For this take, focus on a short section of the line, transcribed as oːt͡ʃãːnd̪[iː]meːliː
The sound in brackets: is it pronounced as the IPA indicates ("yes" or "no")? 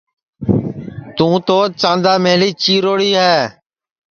no